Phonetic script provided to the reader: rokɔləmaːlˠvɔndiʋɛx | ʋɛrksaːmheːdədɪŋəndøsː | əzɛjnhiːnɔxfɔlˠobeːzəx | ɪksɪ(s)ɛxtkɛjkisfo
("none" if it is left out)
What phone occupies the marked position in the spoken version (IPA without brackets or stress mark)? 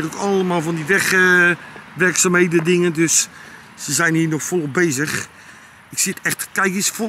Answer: t